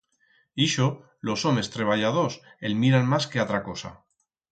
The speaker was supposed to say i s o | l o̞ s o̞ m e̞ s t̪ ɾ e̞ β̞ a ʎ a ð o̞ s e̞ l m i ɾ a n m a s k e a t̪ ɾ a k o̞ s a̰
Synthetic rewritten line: i ʃ o | l o̞ s o̞ m e̞ s t̪ ɾ e̞ β̞ a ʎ a ð o̞ s e̞ l m i ɾ a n m a s k e a t̪ ɾ a k o̞ s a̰